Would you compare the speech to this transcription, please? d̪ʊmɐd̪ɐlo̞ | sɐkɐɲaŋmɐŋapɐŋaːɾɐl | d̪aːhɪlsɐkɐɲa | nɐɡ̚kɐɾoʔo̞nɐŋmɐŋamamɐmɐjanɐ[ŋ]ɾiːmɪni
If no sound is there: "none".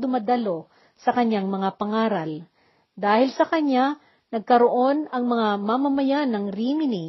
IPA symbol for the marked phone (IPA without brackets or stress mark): ŋ